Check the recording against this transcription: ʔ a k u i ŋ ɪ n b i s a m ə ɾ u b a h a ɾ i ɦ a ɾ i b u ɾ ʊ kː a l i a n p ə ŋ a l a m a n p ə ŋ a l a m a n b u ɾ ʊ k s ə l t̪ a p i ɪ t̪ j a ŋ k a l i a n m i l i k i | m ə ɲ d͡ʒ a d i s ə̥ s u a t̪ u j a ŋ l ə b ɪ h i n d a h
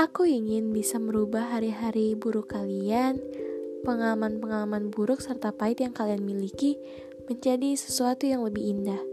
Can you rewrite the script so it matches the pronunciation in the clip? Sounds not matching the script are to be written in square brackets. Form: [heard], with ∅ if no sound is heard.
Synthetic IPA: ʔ a k u i ŋ ɪ n b i s a m ə ɾ u b a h a ɾ i ɦ a ɾ i b u ɾ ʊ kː a l i a n p ə ŋ a l a m a n p ə ŋ a l a m a n b u ɾ ʊ k s ə [r] t̪ a p [a] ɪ t̪ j a ŋ k a l i a n m i l i k i | m ə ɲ d͡ʒ a d i s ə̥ s u a t̪ u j a ŋ l ə b ɪ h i n d a h